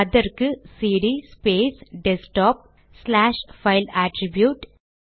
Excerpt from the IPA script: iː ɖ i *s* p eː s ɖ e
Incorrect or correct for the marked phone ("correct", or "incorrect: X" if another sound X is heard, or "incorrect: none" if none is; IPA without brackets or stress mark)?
correct